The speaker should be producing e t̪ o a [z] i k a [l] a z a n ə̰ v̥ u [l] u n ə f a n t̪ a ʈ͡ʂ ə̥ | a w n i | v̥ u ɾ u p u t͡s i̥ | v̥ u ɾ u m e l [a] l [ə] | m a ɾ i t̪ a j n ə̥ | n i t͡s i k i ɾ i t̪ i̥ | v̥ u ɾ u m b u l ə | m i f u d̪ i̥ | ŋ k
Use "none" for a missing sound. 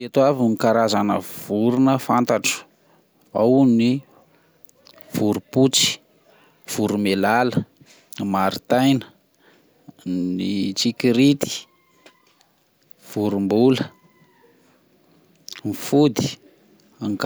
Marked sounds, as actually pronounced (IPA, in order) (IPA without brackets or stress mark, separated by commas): v, ɾ, ɾ, a, ə